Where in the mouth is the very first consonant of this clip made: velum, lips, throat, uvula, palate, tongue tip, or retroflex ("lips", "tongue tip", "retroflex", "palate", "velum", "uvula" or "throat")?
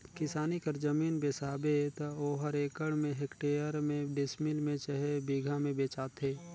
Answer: velum